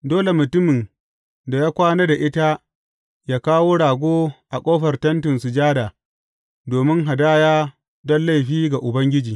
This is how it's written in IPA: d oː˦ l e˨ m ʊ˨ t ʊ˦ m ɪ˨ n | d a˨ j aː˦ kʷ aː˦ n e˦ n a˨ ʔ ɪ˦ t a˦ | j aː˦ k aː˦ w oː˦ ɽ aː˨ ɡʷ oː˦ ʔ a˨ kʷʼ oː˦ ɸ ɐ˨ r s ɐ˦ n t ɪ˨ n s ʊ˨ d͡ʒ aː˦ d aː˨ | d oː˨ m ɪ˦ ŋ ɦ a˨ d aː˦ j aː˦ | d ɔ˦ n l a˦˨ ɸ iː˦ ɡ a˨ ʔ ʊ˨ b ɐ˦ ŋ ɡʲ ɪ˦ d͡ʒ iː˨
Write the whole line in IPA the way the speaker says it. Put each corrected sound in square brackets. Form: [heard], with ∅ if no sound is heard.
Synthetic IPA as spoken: d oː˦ l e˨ m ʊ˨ t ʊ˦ m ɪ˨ n | d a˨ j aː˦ kʷ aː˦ n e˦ [d] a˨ ʔ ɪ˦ t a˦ | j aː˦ k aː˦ w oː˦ ɽ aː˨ ɡʷ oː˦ ʔ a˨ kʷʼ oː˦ ɸ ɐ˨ r [t] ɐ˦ n t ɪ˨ n s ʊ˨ d͡ʒ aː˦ d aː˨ | d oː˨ m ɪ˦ ŋ ɦ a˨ d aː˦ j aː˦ | d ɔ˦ n l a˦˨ ɸ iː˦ ɡ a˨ ʔ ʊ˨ b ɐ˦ ŋ ɡʲ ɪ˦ d͡ʒ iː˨